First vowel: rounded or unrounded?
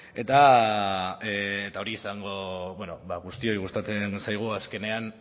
unrounded